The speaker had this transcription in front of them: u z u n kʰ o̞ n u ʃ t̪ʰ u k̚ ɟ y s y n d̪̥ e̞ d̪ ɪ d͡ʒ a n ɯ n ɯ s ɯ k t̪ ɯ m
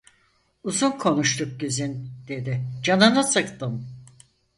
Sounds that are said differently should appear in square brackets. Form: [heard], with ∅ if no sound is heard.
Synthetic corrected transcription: u z u n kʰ o̞ n u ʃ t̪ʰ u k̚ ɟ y [z] y n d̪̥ e̞ d̪ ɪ d͡ʒ a n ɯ n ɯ s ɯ k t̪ ɯ m